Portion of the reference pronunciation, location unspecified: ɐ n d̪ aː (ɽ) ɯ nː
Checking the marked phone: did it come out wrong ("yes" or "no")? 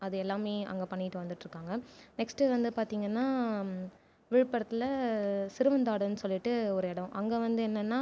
no